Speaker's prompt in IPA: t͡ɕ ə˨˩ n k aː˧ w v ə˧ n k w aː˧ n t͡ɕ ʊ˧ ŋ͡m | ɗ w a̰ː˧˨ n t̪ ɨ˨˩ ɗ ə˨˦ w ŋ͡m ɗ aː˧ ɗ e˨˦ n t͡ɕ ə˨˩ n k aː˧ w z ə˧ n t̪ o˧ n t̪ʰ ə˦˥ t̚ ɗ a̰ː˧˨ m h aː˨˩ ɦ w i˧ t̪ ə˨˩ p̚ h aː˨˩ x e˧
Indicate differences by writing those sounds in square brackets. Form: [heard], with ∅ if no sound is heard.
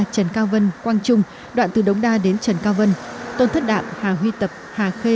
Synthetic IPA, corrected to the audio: t͡ɕ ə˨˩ n k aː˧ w v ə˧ n k w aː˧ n t͡ɕ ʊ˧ ŋ͡m | ɗ w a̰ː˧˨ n t̪ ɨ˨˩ ɗ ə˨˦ w ŋ͡m ɗ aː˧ ɗ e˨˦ n t͡ɕ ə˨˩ n k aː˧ w [v] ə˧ n t̪ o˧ n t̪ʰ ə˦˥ t̚ ɗ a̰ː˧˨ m h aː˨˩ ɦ w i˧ t̪ ə˨˩ p̚ h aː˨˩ x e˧